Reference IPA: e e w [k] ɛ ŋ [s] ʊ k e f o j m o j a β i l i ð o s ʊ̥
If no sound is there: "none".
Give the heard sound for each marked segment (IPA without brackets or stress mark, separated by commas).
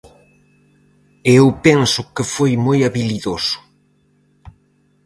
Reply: p, s